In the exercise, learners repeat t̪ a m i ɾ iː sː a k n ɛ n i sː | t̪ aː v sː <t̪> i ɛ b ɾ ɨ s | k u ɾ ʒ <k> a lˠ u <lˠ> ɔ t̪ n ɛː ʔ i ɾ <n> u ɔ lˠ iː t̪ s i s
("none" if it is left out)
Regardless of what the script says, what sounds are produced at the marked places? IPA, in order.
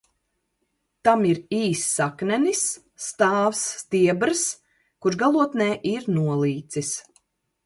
t̪, ɡ, none, n

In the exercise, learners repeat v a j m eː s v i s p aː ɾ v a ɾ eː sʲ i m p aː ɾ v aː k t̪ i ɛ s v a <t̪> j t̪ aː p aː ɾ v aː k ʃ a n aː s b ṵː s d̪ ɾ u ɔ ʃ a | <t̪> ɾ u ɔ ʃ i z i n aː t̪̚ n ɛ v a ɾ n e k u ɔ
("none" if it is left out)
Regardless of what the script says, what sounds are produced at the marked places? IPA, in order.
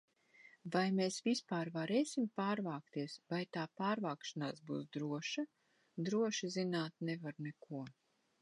none, d̪

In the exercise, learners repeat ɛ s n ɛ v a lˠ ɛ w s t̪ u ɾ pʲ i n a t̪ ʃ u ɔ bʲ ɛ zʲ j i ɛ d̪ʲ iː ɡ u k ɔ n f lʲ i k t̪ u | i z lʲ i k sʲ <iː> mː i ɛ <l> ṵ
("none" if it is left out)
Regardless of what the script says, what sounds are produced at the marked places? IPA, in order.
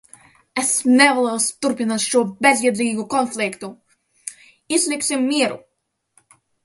i, ɾ

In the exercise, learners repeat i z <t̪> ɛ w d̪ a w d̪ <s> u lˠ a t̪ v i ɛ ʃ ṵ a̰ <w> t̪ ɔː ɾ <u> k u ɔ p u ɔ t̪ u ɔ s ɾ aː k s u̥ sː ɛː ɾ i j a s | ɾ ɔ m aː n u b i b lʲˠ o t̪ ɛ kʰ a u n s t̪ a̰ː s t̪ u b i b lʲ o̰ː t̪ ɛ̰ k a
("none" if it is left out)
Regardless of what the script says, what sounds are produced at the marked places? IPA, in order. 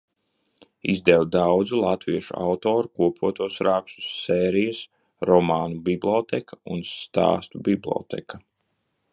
d̪, z, w, u

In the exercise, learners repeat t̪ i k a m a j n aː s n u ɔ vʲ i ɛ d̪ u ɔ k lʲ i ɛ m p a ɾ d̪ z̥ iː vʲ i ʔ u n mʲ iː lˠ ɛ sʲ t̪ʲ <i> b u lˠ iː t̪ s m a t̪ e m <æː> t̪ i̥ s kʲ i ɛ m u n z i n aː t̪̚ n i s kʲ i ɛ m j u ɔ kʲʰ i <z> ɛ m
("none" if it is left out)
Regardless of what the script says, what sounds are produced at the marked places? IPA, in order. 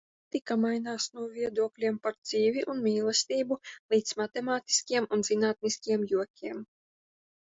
iː, aː, none

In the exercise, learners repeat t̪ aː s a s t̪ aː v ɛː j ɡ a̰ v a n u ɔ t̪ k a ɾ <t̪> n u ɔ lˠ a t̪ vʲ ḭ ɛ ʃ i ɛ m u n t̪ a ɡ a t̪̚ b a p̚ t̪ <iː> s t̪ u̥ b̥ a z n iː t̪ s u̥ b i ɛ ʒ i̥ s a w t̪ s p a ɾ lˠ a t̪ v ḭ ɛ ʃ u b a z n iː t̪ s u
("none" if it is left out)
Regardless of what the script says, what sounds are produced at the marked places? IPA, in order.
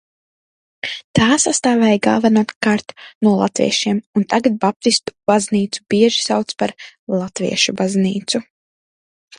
t̪, i

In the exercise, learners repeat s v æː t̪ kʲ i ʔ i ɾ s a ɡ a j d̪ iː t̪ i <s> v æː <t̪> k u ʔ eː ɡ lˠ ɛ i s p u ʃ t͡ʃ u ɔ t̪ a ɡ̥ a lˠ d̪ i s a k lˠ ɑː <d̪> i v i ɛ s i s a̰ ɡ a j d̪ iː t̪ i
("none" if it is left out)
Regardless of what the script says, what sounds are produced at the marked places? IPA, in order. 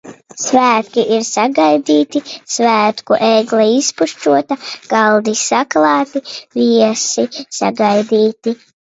s, t̪, t̪

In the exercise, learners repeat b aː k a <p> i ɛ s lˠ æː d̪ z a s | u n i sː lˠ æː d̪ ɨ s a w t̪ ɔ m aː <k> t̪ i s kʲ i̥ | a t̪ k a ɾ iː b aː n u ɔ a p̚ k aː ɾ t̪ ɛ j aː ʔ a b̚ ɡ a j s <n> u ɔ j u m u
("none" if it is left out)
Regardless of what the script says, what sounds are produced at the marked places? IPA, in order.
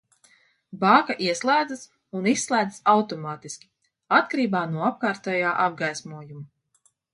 ʔ, none, m

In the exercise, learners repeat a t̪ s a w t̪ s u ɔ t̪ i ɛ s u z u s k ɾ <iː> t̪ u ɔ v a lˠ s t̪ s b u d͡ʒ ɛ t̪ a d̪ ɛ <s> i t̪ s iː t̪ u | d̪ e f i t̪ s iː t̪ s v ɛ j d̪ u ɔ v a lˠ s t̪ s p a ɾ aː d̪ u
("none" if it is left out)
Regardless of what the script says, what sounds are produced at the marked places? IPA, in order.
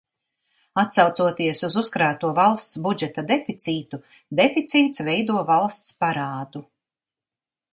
aː, f

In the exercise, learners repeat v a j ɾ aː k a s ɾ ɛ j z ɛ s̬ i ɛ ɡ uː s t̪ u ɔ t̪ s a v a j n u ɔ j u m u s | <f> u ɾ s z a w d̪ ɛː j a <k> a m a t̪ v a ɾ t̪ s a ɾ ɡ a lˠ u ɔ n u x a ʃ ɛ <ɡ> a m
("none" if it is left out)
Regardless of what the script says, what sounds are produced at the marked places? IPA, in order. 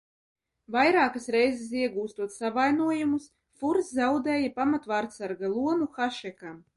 f, p, k

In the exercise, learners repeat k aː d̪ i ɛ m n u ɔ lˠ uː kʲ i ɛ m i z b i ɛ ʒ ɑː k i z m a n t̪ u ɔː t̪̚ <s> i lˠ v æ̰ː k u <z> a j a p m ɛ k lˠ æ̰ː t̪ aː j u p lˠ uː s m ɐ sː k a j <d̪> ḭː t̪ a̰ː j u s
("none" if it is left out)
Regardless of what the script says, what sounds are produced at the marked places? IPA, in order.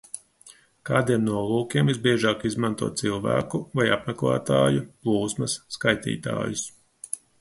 s, v, t̪

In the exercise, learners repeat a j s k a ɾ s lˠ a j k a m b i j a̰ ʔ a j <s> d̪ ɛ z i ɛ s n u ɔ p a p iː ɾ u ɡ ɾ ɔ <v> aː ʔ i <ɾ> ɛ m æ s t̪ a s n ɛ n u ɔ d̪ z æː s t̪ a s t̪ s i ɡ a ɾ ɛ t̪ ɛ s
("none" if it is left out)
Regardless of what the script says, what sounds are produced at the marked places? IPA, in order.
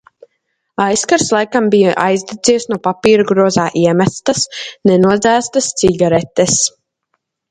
z, z, none

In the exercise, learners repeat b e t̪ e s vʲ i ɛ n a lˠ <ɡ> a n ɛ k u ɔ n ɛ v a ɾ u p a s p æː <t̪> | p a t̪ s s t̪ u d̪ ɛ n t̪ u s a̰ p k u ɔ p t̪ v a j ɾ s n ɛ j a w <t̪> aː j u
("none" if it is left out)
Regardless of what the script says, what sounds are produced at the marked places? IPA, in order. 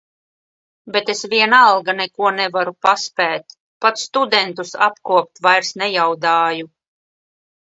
ɡ, t̪, d̪

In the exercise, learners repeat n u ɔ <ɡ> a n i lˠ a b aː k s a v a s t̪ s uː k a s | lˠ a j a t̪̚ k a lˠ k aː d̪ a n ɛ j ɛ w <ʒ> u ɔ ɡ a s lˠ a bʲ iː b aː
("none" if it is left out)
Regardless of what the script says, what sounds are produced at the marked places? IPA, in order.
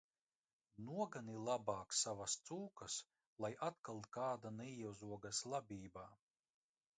ɡ, z

